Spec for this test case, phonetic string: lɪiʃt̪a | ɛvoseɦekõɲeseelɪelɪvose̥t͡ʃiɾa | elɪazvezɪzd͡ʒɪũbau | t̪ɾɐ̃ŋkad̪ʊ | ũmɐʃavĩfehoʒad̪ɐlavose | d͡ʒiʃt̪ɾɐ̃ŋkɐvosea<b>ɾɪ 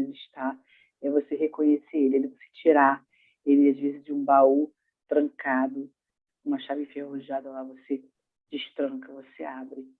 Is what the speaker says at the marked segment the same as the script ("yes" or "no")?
yes